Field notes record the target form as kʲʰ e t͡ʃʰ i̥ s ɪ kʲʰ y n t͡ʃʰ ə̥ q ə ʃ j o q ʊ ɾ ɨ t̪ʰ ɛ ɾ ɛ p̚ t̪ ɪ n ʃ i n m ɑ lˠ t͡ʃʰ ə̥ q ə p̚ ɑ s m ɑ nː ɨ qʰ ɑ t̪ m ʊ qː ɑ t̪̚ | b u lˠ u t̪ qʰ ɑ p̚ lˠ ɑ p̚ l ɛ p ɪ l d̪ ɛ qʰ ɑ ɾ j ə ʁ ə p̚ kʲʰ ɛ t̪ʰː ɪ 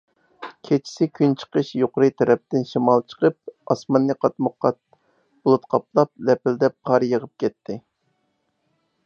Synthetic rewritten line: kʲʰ e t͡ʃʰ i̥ s ɪ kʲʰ y n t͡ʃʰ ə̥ q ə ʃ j o q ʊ ɾ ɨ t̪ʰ ɛ ɾ ɛ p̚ t̪ ɪ n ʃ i m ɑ lˠ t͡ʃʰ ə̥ q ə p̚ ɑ s m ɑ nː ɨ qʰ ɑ t̪ m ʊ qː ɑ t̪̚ | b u lˠ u t̪ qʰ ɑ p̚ lˠ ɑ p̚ l ɛ p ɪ l d̪ ɛ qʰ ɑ ɾ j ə ʁ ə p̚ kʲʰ ɛ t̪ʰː ɪ